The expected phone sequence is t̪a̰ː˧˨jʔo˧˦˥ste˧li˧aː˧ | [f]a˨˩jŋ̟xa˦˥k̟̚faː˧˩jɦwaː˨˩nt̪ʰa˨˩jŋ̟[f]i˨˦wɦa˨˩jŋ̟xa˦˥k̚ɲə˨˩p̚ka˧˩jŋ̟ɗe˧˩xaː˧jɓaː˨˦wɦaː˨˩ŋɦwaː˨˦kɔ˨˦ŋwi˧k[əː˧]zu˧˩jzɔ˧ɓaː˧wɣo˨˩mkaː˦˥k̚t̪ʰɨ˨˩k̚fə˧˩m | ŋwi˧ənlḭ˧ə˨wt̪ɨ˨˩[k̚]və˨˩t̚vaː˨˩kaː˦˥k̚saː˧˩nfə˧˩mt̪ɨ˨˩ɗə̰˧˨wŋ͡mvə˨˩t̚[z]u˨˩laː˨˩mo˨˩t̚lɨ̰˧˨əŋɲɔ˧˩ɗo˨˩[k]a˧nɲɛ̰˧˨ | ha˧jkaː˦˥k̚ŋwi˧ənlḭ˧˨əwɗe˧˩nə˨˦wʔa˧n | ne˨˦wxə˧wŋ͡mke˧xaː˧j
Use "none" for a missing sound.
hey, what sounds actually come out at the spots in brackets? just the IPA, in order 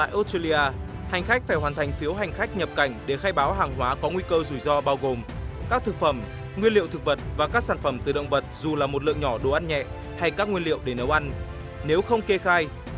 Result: h, f, əː˧, k̚, z, ʔ

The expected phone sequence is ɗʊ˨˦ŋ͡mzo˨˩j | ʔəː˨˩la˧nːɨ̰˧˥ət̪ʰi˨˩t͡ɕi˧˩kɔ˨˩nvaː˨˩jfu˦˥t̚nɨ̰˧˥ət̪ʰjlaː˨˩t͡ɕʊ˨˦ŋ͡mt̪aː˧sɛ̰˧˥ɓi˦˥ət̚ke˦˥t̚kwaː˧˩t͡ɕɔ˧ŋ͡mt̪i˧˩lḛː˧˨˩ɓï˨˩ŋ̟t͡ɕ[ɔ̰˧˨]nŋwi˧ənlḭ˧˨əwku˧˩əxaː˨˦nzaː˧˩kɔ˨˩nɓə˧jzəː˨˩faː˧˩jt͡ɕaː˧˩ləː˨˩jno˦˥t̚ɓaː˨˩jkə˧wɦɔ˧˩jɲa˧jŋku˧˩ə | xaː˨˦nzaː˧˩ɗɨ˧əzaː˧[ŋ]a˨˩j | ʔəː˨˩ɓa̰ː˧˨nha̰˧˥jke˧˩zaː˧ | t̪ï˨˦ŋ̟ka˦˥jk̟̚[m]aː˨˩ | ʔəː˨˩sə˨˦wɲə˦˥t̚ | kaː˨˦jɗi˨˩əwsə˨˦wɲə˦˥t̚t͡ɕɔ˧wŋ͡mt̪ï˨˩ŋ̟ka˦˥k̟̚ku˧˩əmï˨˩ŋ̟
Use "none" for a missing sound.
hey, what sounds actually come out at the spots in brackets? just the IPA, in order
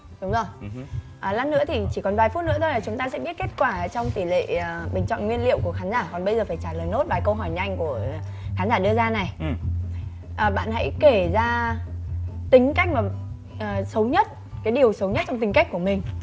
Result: ɔ̰˧˨, n, m

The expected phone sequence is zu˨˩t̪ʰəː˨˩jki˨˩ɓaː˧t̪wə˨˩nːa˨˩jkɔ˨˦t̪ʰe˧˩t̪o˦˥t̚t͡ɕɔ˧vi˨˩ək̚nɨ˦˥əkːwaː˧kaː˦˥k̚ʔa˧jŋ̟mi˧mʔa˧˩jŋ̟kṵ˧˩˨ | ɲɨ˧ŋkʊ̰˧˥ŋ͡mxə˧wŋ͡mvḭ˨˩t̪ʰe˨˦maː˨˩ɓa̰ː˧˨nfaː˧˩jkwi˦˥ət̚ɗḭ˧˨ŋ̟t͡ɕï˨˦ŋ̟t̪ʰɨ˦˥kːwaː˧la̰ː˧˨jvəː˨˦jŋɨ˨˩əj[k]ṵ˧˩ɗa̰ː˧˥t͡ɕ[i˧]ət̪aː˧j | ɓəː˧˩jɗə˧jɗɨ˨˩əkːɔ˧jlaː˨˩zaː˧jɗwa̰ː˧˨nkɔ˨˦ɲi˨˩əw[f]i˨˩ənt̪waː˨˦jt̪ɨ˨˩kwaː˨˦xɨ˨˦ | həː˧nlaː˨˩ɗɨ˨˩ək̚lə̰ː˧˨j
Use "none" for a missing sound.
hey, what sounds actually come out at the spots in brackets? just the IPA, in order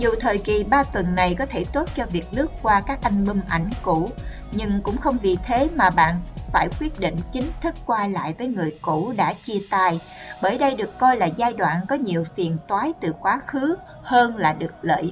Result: k, i˧, f

